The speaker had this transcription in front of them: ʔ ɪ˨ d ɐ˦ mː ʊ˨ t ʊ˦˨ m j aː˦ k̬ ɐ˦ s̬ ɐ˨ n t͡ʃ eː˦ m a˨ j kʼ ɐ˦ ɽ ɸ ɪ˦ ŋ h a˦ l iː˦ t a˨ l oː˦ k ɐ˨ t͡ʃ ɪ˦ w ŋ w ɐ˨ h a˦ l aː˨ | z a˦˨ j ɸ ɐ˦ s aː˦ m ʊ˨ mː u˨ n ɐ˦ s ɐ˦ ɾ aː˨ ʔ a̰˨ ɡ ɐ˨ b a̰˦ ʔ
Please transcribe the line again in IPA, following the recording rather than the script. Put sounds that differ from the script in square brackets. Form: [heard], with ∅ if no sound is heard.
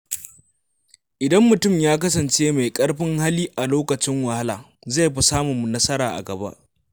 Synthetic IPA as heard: ʔ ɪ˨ d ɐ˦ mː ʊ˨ t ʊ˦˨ m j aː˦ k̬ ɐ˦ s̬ ɐ˨ n t͡ʃ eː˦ m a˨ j kʼ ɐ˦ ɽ ɸ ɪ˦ ŋ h a˦ l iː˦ [ʔ] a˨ l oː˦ k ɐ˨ t͡ʃ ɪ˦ [∅] ŋ w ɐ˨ h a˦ l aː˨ | z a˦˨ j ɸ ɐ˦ s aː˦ m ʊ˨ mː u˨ n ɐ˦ s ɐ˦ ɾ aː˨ ʔ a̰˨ ɡ ɐ˨ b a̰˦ ʔ

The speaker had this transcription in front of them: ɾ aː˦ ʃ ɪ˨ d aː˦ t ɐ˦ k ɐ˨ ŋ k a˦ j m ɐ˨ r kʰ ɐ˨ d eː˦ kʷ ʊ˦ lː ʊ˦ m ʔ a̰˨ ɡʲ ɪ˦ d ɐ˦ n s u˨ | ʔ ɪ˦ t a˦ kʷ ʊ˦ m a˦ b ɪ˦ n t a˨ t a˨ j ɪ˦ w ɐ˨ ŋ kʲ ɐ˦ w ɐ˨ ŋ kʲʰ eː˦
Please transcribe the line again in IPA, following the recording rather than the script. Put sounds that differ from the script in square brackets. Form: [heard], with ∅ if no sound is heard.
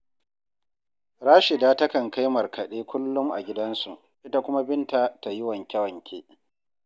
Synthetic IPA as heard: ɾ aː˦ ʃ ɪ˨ d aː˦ t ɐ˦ k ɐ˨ ŋ k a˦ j m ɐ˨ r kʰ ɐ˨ [ɗ] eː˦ kʷ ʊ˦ lː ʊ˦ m ʔ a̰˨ ɡʲ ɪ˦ d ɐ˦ n s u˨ | ʔ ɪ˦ t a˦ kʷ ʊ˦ m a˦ b ɪ˦ n t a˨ t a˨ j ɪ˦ w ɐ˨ ŋ kʲ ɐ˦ w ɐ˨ ŋ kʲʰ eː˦

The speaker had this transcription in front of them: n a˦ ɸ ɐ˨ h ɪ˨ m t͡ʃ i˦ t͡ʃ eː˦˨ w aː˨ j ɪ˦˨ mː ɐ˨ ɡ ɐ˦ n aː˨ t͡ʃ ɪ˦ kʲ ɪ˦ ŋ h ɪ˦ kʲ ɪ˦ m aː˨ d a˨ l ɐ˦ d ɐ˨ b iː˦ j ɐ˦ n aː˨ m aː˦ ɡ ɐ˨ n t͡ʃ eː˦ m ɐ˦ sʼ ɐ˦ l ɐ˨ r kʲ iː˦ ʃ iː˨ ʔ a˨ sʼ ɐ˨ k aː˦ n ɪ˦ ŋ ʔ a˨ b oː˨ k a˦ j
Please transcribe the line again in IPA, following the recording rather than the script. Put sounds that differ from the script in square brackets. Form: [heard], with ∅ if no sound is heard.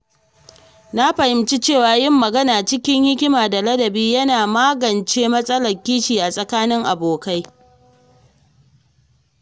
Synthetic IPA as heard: n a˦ ɸ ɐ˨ h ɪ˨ m t͡ʃ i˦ t͡ʃ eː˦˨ w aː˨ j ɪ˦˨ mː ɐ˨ ɡ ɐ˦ n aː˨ t͡ʃ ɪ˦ kʲ ɪ˦ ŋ h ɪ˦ kʲ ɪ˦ m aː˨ d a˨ l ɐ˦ d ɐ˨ b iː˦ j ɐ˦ n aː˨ m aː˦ ɡ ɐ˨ n t͡ʃ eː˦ m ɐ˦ sʼ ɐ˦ l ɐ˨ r kʲ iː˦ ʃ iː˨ ʔ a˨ sʼ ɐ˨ k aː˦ n ɪ˦ ŋ ʔ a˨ b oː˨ k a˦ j

